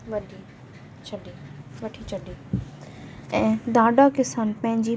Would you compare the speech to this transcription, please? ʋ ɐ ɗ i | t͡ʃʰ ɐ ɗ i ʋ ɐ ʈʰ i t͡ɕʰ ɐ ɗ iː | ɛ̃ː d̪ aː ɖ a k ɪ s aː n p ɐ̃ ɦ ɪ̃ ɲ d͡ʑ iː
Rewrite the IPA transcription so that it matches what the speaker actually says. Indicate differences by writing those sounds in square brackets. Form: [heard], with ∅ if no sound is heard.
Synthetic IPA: ʋ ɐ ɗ i | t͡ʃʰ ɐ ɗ i ʋ ɐ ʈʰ i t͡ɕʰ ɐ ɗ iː | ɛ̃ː d̪ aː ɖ a k ɪ s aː n p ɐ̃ ɦ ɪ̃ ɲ d͡ʑ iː